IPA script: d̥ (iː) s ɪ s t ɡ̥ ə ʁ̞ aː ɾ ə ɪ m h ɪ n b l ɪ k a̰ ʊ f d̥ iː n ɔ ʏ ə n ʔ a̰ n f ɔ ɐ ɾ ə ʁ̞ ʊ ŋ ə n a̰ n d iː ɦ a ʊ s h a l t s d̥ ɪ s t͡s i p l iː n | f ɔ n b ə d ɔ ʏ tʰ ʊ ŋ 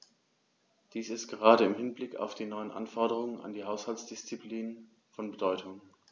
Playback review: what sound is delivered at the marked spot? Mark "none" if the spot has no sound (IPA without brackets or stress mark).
iː